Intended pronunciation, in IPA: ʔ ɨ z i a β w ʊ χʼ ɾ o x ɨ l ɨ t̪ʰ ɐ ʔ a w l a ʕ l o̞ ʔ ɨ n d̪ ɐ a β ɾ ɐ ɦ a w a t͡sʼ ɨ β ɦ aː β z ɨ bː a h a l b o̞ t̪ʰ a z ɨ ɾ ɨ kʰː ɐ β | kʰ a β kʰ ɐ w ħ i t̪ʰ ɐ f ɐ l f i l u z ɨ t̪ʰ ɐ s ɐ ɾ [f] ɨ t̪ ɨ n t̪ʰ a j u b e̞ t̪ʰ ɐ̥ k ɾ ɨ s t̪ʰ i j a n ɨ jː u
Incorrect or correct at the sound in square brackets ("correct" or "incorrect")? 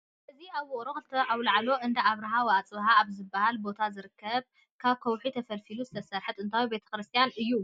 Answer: incorrect